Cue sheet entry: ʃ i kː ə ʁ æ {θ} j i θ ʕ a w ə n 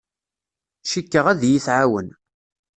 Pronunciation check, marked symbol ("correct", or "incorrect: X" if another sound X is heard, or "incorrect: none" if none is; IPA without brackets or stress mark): incorrect: ð